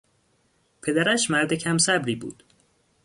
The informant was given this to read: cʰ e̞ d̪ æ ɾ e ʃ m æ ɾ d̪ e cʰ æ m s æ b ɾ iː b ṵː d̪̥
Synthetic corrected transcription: pʰ e̞ d̪ æ ɾ æ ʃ m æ ɾ d̪ e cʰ æ m s æ b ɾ iː b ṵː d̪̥